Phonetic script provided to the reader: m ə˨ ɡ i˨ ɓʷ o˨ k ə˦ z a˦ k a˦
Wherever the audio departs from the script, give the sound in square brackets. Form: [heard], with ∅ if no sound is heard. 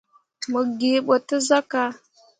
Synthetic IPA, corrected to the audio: m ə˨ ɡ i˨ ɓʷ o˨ [t] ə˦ z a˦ k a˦